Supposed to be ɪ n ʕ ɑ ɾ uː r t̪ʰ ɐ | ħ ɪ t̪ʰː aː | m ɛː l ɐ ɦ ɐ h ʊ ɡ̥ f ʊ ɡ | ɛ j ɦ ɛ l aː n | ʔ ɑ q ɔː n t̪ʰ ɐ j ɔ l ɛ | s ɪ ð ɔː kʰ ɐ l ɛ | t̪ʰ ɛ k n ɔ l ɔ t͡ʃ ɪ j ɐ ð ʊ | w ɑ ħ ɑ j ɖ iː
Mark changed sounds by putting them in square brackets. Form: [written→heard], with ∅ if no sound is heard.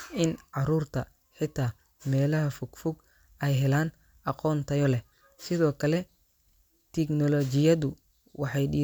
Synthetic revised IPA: ɪ n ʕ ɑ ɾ uː r t̪ʰ ɐ | ħ ɪ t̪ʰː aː | m ɛː l ɐ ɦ ɐ [h→f] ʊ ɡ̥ f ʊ ɡ | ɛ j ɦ ɛ l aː n | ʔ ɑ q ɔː n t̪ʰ ɐ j ɔ l ɛ | s ɪ ð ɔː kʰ ɐ l ɛ | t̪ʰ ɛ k n ɔ l ɔ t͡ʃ ɪ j ɐ ð ʊ | w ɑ ħ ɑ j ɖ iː

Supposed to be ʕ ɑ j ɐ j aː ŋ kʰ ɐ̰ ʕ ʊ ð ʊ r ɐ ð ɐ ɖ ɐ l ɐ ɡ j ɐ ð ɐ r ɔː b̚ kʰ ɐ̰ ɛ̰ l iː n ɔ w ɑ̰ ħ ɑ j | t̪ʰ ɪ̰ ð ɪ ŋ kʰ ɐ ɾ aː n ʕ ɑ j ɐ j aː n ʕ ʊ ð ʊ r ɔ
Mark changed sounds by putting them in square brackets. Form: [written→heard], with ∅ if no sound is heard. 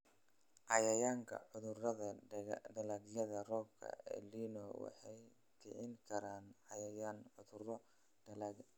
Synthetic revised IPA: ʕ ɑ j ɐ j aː ŋ kʰ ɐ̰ ʕ ʊ ð ʊ r ɐ ð ɐ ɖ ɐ l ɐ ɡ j ɐ ð ɐ r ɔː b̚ kʰ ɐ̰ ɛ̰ l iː n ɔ w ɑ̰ ħ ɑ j | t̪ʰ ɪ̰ [ð→ʕ] ɪ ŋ kʰ ɐ ɾ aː n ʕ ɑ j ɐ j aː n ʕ ʊ ð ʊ r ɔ

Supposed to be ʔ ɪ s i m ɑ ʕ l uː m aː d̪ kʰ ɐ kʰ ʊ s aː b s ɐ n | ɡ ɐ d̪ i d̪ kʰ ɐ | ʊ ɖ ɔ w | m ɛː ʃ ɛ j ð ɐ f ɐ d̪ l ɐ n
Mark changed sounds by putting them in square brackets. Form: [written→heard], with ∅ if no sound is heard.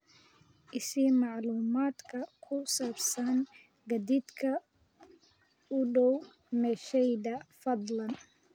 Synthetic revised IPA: ʔ ɪ s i m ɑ ʕ l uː m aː d̪ kʰ ɐ kʰ ʊ s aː b s ɐ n | ɡ ɐ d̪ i d̪ kʰ ɐ | ʊ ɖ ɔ w | m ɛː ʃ ɛ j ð ɐ f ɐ d̪ l ɐ n

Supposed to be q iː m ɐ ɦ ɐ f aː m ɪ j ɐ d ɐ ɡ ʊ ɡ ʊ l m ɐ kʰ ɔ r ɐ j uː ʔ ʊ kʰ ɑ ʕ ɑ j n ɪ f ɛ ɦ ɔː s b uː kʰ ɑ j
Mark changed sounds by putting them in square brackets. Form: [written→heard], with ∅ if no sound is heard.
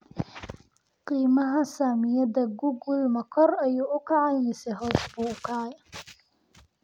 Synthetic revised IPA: q iː m ɐ ɦ ɐ [f→s] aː m ɪ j ɐ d ɐ ɡ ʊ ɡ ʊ l m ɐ kʰ ɔ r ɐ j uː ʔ ʊ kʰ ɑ ʕ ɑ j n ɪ [f→s] ɛ ɦ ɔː s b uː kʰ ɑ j

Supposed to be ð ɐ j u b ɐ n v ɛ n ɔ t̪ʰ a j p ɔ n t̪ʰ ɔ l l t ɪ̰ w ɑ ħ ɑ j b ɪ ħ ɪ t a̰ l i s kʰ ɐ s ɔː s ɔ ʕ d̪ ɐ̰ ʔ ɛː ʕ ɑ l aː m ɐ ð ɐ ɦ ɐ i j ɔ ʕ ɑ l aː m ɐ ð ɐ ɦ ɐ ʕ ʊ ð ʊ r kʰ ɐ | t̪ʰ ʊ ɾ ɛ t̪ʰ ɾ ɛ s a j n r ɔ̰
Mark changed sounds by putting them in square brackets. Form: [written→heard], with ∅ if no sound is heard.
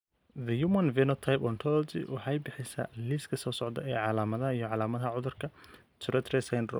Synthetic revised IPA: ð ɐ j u [b→m] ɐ n v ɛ n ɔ t̪ʰ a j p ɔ n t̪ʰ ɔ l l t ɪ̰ w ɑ ħ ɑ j b ɪ ħ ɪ [t→s] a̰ l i s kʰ ɐ s ɔː s ɔ ʕ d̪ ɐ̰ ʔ ɛː ʕ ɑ l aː m ɐ ð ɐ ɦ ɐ i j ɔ ʕ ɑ l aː m ɐ ð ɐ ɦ ɐ ʕ ʊ ð ʊ r kʰ ɐ | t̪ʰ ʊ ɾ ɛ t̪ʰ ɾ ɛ s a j n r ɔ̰

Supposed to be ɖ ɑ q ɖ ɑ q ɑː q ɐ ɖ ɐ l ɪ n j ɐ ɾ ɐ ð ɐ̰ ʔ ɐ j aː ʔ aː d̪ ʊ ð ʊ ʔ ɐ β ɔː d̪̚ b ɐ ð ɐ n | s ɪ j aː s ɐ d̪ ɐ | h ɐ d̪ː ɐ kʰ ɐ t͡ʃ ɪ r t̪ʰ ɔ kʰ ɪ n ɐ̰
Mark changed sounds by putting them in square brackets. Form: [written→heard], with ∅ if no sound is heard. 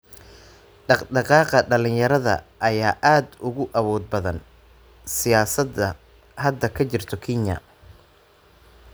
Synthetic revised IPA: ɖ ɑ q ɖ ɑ q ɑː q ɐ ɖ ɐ l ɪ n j ɐ ɾ ɐ ð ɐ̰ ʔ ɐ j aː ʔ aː d̪ ʊ [ð→ɣ] ʊ ʔ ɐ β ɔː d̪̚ b ɐ ð ɐ n | s ɪ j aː s ɐ d̪ ɐ | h ɐ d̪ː ɐ kʰ ɐ t͡ʃ ɪ r t̪ʰ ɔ kʰ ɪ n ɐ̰

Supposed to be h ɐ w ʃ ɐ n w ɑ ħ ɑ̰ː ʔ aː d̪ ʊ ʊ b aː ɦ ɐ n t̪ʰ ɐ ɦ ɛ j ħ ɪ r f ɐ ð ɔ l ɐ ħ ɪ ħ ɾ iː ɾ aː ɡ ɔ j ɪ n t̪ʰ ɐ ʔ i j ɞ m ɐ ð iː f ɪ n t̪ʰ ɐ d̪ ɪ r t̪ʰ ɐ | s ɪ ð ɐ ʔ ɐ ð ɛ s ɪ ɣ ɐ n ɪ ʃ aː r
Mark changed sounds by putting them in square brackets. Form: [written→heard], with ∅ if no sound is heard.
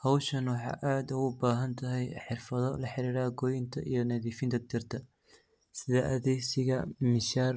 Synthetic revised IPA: h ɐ w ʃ ɐ n w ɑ ħ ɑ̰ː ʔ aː d̪ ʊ ʊ b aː ɦ ɐ n t̪ʰ ɐ ɦ ɛ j ħ ɪ r f ɐ ð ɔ l ɐ ħ ɪ [ħ→∅] ɾ iː ɾ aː ɡ ɔ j ɪ n t̪ʰ ɐ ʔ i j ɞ [m→n] ɐ ð iː f ɪ n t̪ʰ ɐ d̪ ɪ r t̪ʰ ɐ | s ɪ ð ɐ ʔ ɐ ð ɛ s ɪ ɣ ɐ [n→m] ɪ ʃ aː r

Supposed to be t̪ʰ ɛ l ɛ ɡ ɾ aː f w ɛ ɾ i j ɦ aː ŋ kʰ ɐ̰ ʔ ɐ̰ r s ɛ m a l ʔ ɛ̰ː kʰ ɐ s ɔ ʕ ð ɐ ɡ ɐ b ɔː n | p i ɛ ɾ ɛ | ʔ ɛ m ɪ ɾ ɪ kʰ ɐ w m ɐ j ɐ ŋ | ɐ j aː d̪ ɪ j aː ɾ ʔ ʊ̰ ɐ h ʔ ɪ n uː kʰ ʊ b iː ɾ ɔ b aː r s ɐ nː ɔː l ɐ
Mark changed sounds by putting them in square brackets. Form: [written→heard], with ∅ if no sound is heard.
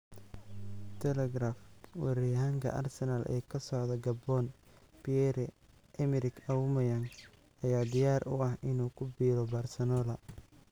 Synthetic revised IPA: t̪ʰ ɛ l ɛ ɡ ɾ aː f w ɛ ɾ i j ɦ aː ŋ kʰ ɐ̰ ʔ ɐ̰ r s ɛ [m→n] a l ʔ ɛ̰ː kʰ ɐ s ɔ ʕ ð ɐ ɡ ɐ b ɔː n | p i ɛ ɾ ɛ | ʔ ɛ m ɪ ɾ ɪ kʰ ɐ w m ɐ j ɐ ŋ | ɐ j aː d̪ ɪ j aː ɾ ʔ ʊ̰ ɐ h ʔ ɪ n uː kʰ ʊ b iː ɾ ɔ b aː r s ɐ [nː→n] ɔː l ɐ

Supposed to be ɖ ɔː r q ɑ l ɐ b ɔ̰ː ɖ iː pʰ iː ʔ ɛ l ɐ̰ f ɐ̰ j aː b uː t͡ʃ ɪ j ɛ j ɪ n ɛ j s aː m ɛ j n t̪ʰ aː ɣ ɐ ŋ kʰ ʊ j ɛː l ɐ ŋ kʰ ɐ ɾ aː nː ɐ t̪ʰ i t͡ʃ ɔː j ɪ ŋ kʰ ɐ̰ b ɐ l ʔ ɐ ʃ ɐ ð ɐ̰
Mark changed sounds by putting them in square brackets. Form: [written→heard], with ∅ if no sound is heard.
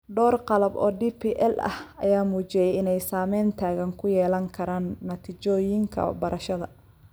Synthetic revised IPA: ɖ ɔː r q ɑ l ɐ b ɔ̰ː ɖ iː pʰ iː ʔ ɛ l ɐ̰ [f→h] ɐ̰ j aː [b→m] uː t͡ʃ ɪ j ɛ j ɪ n ɛ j s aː m ɛ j n t̪ʰ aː ɣ ɐ ŋ kʰ ʊ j ɛː l ɐ ŋ kʰ ɐ ɾ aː nː ɐ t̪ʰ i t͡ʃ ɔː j ɪ ŋ kʰ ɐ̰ b ɐ [l→ɾ] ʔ ɐ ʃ ɐ ð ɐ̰

